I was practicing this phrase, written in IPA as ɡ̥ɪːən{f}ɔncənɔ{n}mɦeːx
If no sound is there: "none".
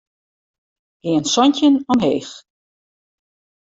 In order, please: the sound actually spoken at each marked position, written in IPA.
s, none

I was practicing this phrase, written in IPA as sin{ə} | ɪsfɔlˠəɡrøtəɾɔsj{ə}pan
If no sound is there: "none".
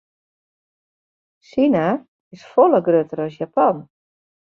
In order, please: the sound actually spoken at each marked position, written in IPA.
a, a

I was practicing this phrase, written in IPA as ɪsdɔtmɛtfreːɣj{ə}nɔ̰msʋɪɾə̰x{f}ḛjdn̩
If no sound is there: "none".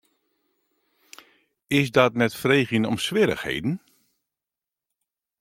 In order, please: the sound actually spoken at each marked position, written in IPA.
ə, h

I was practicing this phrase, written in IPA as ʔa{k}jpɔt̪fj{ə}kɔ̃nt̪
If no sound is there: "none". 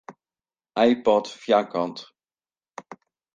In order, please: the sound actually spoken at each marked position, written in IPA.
none, a

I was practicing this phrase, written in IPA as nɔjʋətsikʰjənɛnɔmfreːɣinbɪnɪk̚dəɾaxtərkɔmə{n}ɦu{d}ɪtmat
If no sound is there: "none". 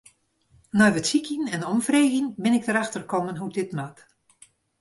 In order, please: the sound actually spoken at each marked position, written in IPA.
n, d

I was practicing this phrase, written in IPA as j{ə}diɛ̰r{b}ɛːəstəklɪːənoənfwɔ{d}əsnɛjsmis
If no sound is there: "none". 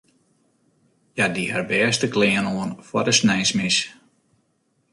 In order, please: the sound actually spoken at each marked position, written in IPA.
a, b, d

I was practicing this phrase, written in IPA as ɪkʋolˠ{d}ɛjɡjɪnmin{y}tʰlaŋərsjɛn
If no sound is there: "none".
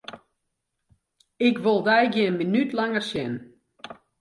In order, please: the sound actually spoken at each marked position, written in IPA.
d, y

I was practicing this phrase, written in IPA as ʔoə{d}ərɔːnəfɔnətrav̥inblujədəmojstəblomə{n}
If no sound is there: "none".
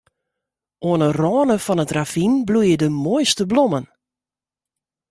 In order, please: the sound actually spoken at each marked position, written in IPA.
n, n

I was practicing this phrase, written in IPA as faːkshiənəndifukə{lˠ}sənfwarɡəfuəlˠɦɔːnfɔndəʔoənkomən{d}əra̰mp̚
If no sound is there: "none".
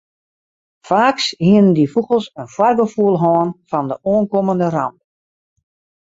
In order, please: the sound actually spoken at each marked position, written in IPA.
lˠ, d

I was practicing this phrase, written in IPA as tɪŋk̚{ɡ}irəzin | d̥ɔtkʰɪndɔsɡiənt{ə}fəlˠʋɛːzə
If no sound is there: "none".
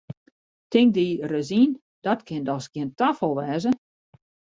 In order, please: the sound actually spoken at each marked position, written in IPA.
d, a

